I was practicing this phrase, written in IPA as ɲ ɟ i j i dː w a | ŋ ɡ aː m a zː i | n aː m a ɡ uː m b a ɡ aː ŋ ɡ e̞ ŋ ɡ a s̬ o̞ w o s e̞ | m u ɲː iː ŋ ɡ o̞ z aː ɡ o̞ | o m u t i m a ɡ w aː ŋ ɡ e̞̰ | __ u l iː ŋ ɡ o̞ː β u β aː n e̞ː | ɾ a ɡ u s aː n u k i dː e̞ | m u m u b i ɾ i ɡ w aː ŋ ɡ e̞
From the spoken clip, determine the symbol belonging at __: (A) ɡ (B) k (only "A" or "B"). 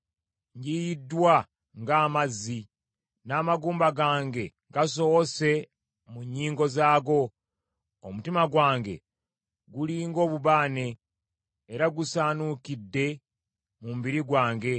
A